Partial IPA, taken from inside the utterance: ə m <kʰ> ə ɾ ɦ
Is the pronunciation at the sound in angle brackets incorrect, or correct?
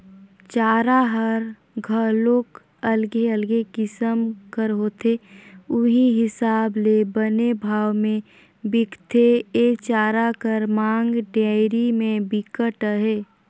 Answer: incorrect